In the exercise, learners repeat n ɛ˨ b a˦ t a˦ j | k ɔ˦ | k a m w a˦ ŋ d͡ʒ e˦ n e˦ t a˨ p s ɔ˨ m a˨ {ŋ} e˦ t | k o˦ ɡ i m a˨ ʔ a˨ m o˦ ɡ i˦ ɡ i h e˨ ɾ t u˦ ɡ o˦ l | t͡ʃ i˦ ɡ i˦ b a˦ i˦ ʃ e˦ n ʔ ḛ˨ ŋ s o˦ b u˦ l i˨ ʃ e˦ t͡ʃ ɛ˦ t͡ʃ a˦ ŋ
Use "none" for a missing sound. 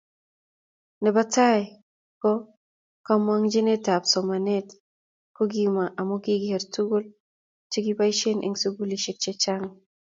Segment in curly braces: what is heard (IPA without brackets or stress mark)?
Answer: n